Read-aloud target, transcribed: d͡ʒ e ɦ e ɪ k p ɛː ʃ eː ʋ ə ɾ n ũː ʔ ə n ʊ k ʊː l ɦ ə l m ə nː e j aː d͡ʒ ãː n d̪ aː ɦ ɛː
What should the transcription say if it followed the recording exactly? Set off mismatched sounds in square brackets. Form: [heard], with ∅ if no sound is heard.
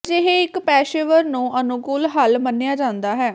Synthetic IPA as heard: d͡ʒ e ɦ e ɪ k p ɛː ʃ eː ʋ ə ɾ n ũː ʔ ə n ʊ k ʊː l ɦ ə l m ə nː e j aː d͡ʒ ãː n d̪ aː ɦ ɛː